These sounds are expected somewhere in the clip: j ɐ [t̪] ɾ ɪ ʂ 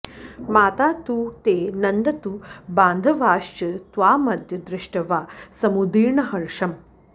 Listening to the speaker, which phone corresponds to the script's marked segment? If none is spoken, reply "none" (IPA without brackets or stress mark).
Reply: d̪